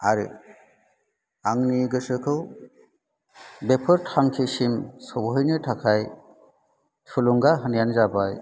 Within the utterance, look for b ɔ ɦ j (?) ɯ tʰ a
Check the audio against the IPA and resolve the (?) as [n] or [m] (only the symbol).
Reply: n